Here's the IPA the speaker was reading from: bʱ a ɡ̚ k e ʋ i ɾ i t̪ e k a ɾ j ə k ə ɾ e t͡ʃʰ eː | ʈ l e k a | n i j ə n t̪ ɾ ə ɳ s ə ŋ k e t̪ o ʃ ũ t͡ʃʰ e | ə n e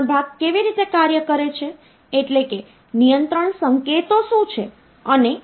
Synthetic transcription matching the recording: bʱ a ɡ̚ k e ʋ i ɾ i t̪ e k a ɾ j ə k ə ɾ e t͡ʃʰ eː | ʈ l e k e | n i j ə n t̪ ɾ ə ɳ s ə ŋ k e t̪ o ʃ ũ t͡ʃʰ e | ə n e